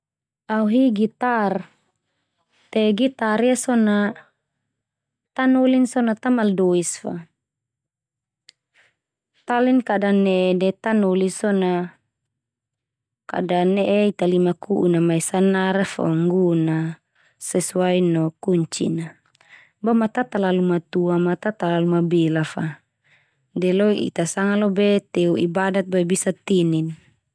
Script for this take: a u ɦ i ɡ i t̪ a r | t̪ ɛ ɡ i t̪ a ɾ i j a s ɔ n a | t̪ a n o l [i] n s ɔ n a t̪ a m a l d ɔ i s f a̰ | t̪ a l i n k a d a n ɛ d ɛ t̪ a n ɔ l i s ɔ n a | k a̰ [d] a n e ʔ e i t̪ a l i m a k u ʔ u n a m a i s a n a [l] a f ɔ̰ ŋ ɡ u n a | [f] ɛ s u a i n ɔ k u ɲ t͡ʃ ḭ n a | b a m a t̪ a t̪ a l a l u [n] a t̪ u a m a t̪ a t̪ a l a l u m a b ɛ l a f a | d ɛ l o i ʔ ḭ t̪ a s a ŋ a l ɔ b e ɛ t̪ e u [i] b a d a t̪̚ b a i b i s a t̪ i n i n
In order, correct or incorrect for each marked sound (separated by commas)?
correct, correct, incorrect, incorrect, incorrect, correct